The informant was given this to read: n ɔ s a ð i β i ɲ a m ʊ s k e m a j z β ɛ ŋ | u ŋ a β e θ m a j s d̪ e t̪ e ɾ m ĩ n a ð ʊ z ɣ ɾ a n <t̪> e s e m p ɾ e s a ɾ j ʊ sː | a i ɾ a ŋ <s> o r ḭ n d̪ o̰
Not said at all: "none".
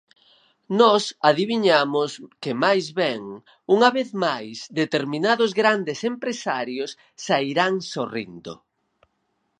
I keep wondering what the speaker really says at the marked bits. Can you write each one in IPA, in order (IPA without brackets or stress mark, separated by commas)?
d̪, s